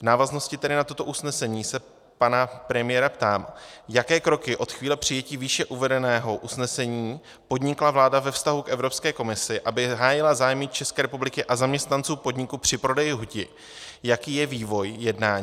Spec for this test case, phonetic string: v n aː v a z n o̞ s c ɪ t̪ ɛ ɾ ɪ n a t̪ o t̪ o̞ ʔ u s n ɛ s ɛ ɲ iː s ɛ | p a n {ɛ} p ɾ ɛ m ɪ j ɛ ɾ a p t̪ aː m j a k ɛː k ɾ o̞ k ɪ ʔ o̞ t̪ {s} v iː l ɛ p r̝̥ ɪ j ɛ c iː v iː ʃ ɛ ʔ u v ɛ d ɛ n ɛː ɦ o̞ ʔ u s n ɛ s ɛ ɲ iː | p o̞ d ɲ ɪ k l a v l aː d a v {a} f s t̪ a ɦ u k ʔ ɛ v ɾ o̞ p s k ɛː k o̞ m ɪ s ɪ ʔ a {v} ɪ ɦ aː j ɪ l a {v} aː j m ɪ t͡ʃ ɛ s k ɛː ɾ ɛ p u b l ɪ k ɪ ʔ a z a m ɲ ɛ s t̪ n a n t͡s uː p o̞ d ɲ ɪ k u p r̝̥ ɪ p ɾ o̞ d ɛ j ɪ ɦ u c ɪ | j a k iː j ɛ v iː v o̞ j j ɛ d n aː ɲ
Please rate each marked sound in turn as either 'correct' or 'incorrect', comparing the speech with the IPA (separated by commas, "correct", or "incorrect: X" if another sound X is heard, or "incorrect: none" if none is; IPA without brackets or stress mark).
incorrect: a, incorrect: x, incorrect: ɛ, incorrect: b, incorrect: z